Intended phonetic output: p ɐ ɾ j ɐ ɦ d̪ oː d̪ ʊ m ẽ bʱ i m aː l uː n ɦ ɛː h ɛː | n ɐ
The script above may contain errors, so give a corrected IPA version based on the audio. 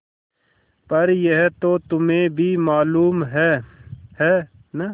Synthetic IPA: p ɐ ɾ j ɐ ɦ t̪ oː t̪ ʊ m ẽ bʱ i m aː l uː m ɦ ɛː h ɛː | n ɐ